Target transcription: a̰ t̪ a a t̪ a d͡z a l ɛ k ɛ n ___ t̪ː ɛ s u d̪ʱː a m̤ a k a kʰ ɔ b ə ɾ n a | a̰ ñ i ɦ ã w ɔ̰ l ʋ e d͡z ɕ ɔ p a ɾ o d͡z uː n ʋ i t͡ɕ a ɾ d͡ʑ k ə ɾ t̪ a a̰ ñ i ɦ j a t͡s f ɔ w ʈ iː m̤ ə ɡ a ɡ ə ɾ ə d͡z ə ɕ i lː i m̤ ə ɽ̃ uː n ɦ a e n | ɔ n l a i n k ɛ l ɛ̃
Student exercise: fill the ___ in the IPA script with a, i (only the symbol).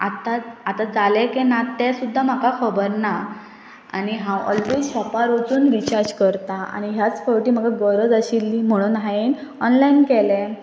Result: a